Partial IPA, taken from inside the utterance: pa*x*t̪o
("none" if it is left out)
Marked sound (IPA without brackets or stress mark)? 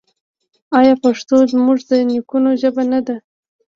ʂ